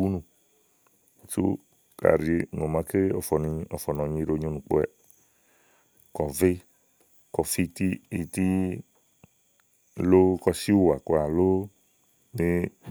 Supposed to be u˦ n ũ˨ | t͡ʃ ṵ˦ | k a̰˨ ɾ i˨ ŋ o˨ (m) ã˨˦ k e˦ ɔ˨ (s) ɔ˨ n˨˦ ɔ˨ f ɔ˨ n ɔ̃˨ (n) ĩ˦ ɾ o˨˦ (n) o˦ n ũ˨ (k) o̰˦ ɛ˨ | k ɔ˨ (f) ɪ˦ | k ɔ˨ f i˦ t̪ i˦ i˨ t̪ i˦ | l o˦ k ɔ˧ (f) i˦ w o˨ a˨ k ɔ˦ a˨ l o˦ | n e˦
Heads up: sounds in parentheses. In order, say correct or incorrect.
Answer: correct, incorrect: f, incorrect: ɲ, incorrect: ɲ, incorrect: k͡p, incorrect: v, incorrect: s

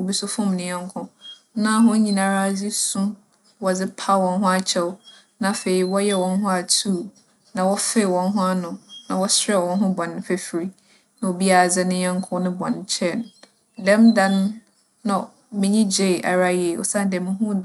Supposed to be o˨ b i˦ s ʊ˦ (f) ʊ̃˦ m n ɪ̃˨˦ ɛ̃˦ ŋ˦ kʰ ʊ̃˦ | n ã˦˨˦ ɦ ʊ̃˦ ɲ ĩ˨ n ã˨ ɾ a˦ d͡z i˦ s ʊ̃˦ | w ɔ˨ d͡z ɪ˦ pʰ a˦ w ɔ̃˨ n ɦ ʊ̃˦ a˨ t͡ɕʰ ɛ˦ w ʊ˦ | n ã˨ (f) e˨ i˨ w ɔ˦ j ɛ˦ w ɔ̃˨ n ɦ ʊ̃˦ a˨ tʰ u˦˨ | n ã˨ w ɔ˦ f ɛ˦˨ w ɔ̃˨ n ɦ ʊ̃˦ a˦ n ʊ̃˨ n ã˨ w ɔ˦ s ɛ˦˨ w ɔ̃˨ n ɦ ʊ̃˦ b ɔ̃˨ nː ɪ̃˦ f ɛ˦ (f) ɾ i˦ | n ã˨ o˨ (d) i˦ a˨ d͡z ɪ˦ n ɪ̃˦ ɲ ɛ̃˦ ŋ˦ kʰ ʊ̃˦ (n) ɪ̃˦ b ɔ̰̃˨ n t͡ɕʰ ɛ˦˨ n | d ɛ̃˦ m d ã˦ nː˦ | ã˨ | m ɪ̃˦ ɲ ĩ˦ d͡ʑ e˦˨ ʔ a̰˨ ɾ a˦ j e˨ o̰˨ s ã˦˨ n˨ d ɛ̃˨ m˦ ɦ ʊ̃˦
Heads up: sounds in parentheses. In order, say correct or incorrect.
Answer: correct, correct, correct, incorrect: b, correct

